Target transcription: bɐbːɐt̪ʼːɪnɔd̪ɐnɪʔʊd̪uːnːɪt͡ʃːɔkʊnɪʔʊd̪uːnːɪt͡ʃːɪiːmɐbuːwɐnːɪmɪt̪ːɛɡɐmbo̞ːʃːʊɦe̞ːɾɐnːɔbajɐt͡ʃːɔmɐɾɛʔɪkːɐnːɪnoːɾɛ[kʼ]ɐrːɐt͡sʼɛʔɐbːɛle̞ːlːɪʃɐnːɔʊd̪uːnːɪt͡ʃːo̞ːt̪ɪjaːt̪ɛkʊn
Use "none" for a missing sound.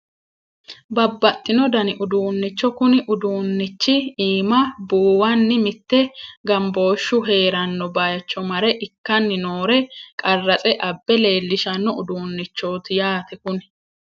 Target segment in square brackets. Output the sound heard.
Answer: kʼ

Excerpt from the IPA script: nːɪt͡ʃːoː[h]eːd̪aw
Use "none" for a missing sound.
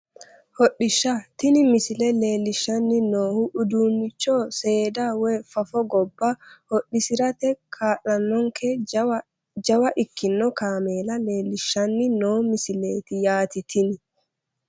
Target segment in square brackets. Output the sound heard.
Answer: s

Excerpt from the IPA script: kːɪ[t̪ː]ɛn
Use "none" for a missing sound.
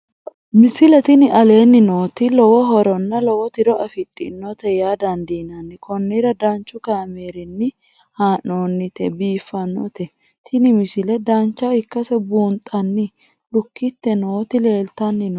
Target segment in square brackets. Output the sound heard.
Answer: t̪ː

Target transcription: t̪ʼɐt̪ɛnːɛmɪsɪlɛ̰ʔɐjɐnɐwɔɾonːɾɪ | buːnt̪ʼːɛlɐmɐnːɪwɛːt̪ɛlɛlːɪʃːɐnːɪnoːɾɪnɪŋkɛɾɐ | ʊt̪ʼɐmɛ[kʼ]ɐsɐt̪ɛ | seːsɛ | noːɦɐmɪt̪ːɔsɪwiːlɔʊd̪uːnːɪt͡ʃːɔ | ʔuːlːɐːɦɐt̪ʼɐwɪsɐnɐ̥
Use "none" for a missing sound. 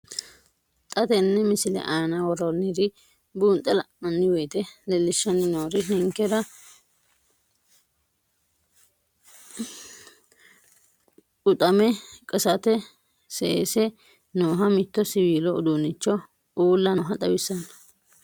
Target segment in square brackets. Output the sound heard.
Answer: kʼ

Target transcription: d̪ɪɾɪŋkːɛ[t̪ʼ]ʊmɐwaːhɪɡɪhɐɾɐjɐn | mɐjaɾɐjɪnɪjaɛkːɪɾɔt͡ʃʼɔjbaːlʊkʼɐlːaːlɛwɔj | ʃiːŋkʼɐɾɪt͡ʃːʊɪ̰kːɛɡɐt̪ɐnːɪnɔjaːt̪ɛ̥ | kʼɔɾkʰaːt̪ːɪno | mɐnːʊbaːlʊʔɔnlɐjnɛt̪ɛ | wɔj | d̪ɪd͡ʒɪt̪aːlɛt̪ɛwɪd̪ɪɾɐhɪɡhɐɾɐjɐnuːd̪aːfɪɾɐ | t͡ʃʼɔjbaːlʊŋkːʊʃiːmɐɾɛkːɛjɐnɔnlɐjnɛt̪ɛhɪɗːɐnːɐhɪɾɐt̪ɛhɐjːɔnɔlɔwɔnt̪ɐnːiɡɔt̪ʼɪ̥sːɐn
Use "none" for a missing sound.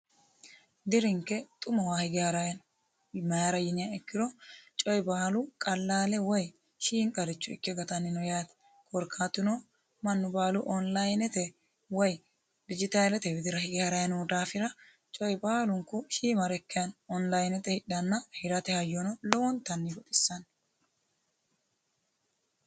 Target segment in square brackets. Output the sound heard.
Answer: t̪ʼ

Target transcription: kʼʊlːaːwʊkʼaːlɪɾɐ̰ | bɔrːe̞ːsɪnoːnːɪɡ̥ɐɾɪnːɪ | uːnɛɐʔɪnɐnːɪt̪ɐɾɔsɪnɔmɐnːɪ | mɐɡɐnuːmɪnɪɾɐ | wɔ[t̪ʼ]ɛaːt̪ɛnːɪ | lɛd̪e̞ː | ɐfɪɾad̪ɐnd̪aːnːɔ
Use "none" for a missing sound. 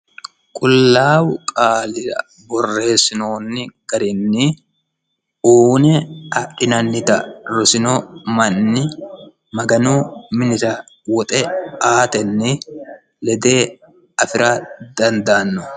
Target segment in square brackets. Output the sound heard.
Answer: t̪ʼ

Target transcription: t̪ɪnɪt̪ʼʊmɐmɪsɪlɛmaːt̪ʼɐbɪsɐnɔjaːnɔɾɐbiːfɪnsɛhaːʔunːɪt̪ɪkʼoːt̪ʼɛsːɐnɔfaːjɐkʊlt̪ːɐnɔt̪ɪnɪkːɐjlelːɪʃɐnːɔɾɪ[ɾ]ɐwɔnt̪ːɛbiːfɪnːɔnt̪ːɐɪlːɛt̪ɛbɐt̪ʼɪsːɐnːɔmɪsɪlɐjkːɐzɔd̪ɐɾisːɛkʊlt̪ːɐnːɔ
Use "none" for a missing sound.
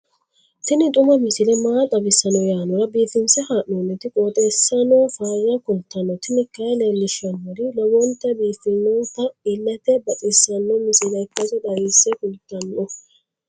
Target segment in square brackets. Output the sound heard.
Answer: l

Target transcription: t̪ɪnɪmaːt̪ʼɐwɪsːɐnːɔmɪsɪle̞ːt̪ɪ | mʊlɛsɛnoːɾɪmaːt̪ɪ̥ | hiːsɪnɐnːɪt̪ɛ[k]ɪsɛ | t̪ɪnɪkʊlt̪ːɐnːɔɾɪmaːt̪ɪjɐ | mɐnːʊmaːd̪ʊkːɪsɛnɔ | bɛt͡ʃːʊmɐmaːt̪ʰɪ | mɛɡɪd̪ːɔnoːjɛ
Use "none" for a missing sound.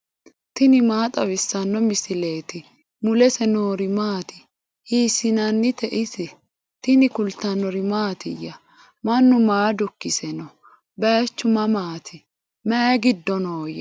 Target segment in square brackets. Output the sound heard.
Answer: ʔ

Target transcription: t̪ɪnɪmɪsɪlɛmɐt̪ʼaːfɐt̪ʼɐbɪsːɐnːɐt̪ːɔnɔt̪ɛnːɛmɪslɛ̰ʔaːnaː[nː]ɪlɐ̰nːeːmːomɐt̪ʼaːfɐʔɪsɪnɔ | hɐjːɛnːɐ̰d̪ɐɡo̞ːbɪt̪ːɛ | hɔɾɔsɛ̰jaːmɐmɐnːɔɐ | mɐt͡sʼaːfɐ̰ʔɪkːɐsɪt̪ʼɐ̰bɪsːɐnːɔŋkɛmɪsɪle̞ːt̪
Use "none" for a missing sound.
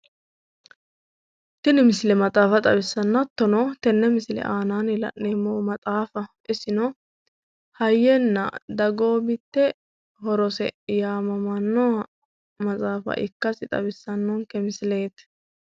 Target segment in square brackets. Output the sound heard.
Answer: n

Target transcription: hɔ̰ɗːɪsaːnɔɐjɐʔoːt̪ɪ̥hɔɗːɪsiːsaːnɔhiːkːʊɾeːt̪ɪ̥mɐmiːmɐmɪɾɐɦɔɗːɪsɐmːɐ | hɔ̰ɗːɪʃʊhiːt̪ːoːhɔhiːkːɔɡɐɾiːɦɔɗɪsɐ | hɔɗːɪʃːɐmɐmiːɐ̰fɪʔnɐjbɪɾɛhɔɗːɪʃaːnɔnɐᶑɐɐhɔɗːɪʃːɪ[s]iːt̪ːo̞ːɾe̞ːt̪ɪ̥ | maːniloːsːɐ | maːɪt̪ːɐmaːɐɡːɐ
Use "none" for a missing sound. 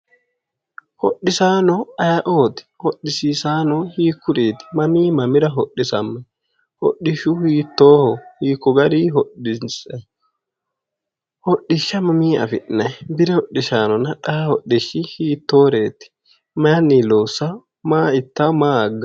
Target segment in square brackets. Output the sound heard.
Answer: h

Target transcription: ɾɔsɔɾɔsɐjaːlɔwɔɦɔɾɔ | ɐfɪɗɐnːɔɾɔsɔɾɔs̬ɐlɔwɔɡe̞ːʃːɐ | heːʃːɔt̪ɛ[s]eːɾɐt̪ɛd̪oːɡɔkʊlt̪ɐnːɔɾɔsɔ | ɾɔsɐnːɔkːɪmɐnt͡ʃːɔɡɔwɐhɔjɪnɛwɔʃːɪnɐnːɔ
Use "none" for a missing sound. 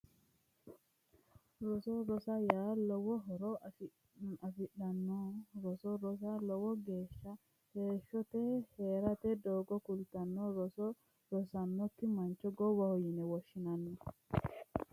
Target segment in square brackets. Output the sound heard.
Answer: h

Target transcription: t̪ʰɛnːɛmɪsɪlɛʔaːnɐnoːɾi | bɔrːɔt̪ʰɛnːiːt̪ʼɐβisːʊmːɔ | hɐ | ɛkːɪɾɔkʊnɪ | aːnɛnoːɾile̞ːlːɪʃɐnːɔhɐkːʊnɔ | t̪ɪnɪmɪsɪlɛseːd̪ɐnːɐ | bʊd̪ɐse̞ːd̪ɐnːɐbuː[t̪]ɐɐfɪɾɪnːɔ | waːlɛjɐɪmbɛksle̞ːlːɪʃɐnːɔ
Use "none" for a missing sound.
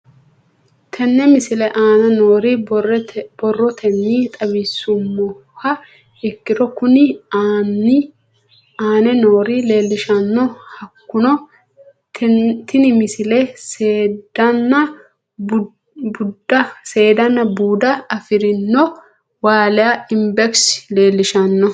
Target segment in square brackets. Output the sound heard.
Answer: d̪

